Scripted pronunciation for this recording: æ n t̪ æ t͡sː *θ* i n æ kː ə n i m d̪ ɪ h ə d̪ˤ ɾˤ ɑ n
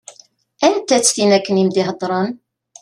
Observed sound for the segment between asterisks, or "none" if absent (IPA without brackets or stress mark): θ